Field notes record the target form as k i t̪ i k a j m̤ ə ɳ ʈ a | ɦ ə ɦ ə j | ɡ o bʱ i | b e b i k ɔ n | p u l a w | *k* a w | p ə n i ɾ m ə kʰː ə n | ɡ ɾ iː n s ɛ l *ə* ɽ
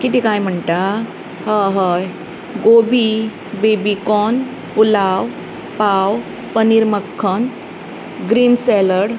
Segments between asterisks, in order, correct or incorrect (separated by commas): incorrect, correct